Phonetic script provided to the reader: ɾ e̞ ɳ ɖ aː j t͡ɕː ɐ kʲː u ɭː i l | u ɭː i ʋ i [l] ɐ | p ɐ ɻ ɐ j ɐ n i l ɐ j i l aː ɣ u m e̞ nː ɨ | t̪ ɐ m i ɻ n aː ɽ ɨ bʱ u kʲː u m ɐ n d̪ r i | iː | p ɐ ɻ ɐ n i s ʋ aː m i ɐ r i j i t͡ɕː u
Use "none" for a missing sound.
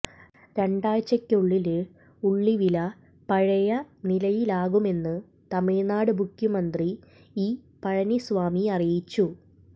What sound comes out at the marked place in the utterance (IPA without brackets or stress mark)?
l